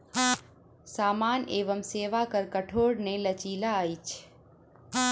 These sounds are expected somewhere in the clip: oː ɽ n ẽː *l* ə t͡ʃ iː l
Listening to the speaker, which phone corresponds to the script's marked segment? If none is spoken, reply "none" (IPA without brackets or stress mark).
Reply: l